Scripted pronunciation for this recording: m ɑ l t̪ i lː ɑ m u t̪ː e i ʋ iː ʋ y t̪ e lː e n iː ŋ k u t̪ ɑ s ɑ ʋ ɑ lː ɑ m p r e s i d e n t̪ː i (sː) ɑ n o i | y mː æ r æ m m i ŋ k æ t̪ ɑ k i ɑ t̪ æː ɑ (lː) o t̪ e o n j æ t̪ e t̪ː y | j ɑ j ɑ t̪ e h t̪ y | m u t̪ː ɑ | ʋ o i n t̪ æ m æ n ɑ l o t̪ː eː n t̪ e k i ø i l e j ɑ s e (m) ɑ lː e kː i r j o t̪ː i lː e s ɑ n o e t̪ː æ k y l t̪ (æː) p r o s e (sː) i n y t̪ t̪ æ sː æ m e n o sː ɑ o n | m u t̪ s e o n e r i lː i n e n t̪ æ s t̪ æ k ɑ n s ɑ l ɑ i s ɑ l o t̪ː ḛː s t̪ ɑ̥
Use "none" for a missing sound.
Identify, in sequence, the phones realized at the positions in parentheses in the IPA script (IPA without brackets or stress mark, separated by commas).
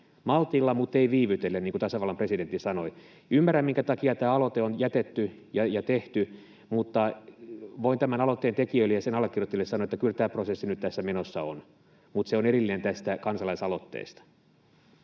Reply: s, l, n, æː, sː